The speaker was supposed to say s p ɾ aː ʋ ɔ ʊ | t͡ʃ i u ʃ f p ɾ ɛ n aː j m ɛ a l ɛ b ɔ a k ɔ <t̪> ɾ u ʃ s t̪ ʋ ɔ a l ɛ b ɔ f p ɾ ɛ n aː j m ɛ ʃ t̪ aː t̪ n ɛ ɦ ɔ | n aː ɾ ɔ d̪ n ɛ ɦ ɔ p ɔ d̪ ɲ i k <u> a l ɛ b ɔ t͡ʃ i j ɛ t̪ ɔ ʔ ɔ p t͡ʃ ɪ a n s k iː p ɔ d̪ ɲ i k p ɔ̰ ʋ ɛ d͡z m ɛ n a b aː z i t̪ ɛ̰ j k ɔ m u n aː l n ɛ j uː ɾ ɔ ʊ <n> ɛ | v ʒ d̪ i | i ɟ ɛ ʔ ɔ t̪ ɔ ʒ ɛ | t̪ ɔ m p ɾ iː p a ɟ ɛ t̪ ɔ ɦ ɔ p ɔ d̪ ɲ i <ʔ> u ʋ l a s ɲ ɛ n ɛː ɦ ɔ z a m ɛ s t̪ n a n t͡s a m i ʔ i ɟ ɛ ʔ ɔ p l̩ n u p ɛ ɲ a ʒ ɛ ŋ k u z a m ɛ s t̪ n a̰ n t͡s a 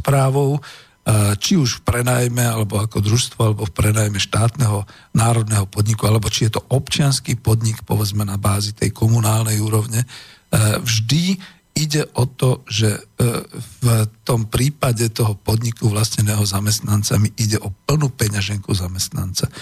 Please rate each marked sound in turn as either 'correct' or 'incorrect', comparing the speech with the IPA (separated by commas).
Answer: incorrect, correct, incorrect, incorrect